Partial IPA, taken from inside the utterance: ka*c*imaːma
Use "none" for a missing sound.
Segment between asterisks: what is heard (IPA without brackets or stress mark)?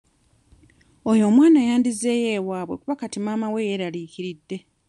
t